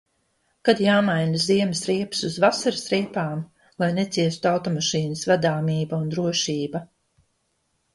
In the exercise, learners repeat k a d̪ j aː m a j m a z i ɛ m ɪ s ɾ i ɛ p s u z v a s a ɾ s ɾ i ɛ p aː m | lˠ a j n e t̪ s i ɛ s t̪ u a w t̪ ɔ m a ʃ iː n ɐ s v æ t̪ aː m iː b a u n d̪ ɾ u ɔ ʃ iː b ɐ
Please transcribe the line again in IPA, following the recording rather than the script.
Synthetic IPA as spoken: k a d̪ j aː m a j n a z i ɛ m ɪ s ɾ i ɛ p s u z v a s a ɾ s ɾ i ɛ p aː m | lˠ a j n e t̪ s i ɛ s t̪ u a w t̪ ɔ m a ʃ iː n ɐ s v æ d̪ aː m iː b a u n d̪ ɾ u ɔ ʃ iː b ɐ